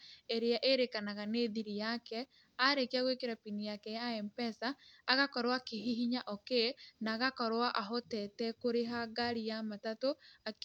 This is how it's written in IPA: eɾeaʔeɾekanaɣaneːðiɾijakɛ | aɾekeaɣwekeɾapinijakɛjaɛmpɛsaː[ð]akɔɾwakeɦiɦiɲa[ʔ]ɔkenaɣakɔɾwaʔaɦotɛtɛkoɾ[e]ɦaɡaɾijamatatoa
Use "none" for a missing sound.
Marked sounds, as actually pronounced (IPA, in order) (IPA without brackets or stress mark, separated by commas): ɣ, ʔ, e